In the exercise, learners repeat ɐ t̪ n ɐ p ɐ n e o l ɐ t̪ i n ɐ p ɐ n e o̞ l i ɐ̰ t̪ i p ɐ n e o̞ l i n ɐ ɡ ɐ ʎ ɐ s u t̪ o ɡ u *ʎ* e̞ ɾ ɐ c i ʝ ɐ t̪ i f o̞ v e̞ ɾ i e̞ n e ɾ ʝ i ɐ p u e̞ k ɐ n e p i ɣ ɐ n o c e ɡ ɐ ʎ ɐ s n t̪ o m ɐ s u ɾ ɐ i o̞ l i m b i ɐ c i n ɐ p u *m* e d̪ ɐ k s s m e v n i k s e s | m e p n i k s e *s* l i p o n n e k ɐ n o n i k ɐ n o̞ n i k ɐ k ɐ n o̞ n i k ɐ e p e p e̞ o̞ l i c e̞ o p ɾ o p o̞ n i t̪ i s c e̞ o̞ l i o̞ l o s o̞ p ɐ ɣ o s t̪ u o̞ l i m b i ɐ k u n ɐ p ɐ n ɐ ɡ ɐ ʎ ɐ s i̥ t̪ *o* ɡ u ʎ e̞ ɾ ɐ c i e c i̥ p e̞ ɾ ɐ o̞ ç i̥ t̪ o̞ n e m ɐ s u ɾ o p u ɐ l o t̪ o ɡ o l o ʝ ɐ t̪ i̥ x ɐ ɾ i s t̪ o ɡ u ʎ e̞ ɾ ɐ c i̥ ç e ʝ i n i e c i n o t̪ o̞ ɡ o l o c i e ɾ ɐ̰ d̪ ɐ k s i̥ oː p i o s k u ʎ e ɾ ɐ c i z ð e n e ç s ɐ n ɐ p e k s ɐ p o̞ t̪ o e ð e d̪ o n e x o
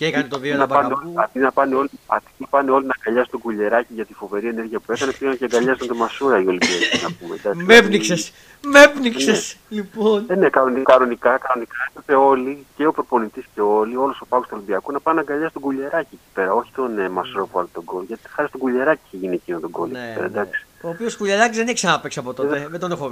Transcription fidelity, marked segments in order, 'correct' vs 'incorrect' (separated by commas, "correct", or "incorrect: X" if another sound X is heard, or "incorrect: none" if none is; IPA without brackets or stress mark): correct, correct, correct, correct